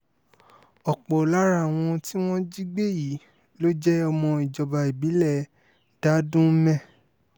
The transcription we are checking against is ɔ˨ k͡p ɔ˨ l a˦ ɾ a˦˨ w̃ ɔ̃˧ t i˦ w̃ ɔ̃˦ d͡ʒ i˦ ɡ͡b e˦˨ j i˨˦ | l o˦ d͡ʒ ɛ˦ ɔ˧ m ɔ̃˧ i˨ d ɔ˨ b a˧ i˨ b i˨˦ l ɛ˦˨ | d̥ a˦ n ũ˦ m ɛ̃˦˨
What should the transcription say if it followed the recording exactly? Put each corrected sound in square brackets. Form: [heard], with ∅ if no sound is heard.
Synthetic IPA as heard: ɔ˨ k͡p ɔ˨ l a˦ ɾ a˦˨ w̃ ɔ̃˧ t i˦ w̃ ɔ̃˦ d͡ʒ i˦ ɡ͡b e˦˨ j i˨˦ | l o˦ d͡ʒ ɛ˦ ɔ˧ m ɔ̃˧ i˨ [d͡ʒ] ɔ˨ b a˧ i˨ b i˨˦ l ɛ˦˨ | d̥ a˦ [d] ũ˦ m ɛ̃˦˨